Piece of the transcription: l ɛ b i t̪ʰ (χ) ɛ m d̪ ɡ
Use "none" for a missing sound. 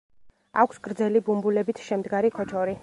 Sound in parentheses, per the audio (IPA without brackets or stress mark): ʃ